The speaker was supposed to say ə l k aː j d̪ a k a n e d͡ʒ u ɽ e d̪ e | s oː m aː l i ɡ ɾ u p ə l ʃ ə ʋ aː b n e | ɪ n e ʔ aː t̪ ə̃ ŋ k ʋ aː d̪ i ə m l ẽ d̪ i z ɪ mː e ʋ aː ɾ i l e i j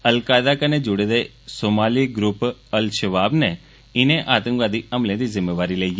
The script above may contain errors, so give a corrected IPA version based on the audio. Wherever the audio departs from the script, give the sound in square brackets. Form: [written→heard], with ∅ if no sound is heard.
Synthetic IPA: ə l k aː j d̪ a k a n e d͡ʒ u ɽ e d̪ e | s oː m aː l i ɡ ɾ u p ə l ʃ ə ʋ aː b n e | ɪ n e ʔ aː t̪ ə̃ ŋ k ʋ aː d̪ i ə m l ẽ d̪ i z ɪ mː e ʋ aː ɾ i l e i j